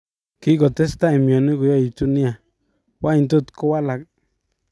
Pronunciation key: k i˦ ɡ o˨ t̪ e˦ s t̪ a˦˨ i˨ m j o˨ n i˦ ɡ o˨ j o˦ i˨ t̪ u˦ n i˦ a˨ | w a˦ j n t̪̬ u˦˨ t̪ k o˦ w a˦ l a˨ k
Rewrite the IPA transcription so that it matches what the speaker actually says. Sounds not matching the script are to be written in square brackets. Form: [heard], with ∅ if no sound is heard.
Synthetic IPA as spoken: k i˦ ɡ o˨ t̪ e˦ s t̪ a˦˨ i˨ m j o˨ n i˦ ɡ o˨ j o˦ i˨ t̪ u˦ n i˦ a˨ | w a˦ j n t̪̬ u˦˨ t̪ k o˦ w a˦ l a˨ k